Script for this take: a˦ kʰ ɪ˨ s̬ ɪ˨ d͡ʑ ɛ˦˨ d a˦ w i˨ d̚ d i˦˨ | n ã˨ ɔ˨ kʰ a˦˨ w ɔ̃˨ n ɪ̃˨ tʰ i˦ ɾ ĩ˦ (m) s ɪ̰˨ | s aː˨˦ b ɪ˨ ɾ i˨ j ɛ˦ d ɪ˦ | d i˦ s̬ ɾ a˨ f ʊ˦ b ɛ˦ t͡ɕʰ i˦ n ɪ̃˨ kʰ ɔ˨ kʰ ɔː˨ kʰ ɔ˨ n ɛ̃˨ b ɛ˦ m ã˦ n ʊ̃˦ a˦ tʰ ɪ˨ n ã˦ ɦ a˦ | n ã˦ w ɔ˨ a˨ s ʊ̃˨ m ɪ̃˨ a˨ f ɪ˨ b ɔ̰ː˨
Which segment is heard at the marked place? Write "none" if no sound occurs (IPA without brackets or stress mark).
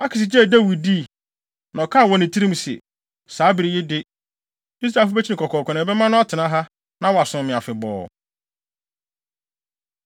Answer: m